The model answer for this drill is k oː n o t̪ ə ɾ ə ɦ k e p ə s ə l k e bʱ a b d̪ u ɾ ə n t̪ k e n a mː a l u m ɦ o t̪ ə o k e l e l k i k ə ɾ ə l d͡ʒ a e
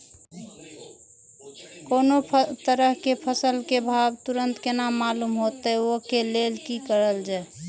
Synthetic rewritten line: k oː n o t̪ ə ɾ ə ɦ k e pʰ ə s ə l k e bʱ a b t̪ u ɾ ə n t̪ k e n a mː a l u m ɦ o t̪ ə o k e l e l k i k ə ɾ ə l d͡ʒ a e